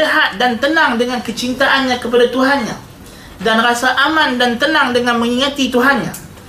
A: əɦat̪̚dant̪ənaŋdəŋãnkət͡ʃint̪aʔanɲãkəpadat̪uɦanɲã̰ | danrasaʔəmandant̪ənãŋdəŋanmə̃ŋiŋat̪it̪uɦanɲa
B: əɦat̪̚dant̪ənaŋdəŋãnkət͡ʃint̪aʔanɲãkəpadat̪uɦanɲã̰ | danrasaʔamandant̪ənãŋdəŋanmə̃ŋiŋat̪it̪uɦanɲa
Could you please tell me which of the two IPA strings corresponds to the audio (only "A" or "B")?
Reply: B